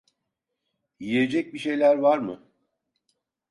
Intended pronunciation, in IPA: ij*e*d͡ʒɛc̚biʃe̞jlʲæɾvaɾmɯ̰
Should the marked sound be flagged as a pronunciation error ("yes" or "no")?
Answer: no